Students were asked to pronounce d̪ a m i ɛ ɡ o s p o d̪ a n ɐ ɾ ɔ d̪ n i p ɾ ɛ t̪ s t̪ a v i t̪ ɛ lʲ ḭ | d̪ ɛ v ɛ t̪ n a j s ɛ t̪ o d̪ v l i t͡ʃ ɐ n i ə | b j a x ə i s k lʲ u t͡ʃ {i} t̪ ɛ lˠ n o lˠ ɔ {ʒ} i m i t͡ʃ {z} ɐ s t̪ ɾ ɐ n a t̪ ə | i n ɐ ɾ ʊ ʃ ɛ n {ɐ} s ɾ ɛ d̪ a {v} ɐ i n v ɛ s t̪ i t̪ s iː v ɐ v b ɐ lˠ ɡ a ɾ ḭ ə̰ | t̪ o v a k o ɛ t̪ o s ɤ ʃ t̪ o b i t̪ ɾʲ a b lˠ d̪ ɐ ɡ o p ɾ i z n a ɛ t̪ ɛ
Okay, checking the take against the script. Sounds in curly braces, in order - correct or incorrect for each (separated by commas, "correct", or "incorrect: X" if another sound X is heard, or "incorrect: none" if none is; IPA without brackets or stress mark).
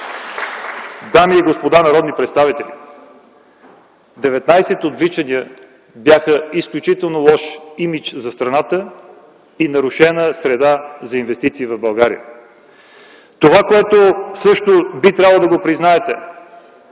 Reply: correct, incorrect: ʃ, correct, incorrect: ə, incorrect: z